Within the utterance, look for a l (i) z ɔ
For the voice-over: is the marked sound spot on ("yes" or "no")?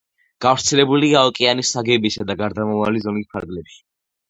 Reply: yes